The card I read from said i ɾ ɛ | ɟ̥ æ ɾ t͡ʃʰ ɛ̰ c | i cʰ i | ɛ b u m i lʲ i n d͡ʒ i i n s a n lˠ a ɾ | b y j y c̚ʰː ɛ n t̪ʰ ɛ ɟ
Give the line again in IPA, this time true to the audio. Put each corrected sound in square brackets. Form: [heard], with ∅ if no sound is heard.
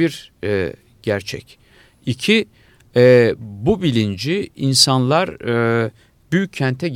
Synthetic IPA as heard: i ɾ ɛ | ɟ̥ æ ɾ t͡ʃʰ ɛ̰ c | i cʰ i | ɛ b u [b] i lʲ i n d͡ʒ i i n s a n lˠ a ɾ | b y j y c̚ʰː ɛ n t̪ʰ ɛ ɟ